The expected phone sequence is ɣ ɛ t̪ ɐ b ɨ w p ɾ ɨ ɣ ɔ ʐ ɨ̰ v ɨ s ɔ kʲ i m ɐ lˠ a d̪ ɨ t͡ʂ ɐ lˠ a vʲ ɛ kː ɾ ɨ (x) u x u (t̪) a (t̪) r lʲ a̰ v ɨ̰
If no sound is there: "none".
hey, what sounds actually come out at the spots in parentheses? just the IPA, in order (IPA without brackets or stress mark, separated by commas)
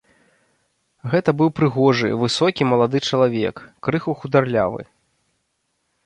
x, d̪, none